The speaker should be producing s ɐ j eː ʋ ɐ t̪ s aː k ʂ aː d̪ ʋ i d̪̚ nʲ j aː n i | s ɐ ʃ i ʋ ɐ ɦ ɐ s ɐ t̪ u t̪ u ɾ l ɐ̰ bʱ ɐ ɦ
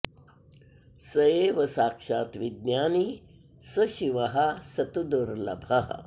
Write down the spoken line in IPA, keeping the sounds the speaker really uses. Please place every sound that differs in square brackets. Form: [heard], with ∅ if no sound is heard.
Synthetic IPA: s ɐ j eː ʋ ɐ [∅] s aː k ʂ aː [t̪] ʋ i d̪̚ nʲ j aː n i | s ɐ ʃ i ʋ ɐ ɦ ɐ s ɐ t̪ u [d̪] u ɾ l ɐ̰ bʱ ɐ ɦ

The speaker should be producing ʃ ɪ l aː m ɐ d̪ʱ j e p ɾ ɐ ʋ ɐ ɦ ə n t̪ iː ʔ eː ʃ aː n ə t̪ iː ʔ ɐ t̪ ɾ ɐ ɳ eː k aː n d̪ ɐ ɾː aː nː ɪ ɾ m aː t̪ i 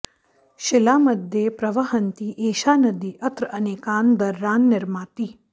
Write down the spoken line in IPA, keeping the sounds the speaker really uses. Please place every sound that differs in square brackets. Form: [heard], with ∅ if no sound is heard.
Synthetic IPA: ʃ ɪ l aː m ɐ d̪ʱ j e p ɾ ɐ ʋ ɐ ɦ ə n t̪ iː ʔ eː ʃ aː n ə [d̪] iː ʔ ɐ t̪ ɾ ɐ [n] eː k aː n d̪ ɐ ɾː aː nː ɪ ɾ m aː t̪ i

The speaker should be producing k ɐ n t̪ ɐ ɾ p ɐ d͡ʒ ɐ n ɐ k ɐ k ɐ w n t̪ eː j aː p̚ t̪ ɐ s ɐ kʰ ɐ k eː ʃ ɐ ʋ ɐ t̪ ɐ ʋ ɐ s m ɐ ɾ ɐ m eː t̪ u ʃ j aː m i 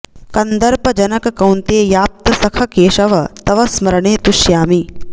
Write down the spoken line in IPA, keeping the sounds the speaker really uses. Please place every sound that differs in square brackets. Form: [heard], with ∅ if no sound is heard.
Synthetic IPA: k ɐ n [d̪] ɐ ɾ p ɐ d͡ʒ ɐ n ɐ k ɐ k ɐ w n t̪ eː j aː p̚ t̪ ɐ s ɐ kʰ ɐ k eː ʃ ɐ ʋ ɐ t̪ ɐ ʋ ɐ s m ɐ ɾ ɐ [ɳ] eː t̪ u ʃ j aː m i

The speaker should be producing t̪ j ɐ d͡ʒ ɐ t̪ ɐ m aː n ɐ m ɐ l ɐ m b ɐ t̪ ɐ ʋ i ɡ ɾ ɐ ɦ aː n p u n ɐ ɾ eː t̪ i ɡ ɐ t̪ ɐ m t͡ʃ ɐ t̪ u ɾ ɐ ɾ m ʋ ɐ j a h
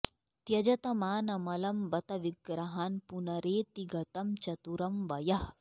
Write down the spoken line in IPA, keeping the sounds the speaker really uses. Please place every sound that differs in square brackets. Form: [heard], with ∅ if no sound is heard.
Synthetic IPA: t̪ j ɐ d͡ʒ ɐ t̪ ɐ m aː n ɐ m ɐ l ɐ m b ɐ t̪ ɐ ʋ i ɡ ɾ ɐ ɦ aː n p u n ɐ ɾ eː t̪ i ɡ ɐ t̪ ɐ m t͡ʃ ɐ t̪ u ɾ ɐ [∅] m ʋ ɐ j [ɐ] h

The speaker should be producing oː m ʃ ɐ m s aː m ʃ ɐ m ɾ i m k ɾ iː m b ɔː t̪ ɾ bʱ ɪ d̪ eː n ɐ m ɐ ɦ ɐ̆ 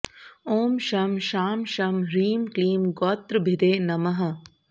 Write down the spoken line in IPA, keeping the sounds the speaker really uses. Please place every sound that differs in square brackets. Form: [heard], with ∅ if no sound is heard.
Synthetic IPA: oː m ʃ ɐ m [ʃ] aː m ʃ ɐ m ɾ [iː] m k [l] iː m [ɡ] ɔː t̪ ɾ bʱ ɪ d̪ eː n ɐ m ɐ ɦ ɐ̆

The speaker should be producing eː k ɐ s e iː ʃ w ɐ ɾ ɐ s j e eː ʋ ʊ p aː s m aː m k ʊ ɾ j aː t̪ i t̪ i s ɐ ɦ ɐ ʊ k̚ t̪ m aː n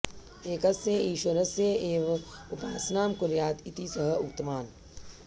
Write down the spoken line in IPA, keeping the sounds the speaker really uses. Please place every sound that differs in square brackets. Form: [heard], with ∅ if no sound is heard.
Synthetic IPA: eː k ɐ s e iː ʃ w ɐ ɾ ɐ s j e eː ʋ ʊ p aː s [n] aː m k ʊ ɾ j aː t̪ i t̪ i s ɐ ɦ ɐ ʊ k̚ t̪ m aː n

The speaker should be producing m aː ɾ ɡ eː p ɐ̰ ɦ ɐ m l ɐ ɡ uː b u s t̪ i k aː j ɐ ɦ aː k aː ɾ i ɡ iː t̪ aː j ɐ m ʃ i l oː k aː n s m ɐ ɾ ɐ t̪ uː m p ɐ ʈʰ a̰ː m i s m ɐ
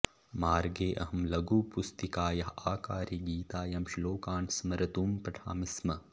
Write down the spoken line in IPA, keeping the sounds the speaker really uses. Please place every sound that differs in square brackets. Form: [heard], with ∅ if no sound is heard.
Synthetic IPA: m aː ɾ ɡ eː [ʔ] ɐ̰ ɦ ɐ m l ɐ ɡ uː [p] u s t̪ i k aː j ɐ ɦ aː k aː ɾ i ɡ iː t̪ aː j ɐ m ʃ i l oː k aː n s m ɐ ɾ ɐ t̪ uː m p ɐ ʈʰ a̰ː m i s m ɐ

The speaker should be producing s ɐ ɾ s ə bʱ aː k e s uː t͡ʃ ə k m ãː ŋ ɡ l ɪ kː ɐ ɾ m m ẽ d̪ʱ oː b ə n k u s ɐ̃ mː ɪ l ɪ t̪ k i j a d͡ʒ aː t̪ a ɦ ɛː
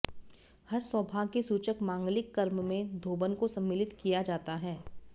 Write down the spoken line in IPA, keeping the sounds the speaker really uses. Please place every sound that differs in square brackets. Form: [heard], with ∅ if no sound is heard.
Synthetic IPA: [h] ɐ ɾ s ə bʱ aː k e s uː t͡ʃ ə k m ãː ŋ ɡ l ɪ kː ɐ ɾ m m ẽ d̪ʱ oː b ə n k [o] s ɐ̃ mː ɪ l ɪ t̪ k i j a d͡ʒ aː t̪ a ɦ ɛː

